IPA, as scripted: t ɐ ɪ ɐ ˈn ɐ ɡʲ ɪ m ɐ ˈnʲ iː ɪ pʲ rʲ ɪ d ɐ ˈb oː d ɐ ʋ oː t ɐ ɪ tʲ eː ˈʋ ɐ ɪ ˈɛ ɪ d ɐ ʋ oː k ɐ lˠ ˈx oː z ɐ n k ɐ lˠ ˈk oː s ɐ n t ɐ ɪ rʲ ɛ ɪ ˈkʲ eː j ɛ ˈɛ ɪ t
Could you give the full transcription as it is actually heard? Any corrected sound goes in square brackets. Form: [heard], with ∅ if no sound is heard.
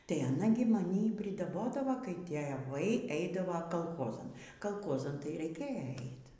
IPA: t ɐ ɪ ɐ ˈn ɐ ɡʲ ɪ m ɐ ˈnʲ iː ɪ pʲ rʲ ɪ d ɐ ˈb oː d ɐ ʋ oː [k] ɐ ɪ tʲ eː ˈʋ ɐ ɪ ˈɛ ɪ d ɐ ʋ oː k ɐ lˠ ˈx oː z ɐ n k ɐ lˠ ˈk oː [z] ɐ n t ɐ ɪ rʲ ɛ ɪ ˈkʲ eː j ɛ ˈɛ ɪ t

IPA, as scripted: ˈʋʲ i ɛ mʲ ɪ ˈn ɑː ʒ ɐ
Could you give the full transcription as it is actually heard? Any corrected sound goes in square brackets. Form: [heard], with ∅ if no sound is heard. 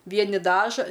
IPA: ˈʋʲ i ɛ [nʲ] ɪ [ˈd] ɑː ʒ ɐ

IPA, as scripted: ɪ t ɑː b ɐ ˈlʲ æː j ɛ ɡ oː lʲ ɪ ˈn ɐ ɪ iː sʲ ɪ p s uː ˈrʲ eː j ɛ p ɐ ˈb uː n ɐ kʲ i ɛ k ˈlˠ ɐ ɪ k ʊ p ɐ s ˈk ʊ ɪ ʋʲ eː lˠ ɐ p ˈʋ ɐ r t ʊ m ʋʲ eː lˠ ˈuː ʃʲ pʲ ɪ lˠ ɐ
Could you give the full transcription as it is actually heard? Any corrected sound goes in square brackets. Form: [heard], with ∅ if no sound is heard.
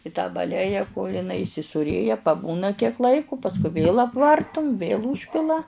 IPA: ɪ t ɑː b ɐ ˈlʲ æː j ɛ [k] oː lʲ ɪ ˈn ɐ ɪ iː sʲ ɪ [∅] s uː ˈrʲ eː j ɛ p ɐ ˈb uː n ɐ kʲ i ɛ k ˈlˠ ɐ ɪ k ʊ p ɐ s ˈk ʊ ɪ ʋʲ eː lˠ ɐ p ˈʋ ɐ r t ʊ m ʋʲ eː lˠ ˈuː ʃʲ pʲ ɪ lˠ ɐ

